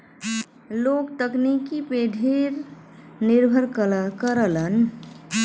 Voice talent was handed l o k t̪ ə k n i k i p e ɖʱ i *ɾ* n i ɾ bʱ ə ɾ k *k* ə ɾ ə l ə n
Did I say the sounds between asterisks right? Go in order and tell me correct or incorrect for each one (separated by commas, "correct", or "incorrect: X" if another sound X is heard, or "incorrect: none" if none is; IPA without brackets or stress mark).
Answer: correct, correct